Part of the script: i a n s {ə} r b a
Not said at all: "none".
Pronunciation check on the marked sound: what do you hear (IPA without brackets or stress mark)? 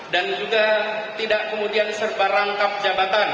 ə